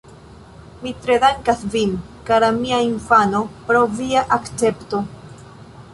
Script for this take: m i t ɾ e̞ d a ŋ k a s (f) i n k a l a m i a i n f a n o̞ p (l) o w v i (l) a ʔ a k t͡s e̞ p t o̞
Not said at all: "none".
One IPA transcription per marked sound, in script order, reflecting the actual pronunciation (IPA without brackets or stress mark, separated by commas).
v, ɾ, none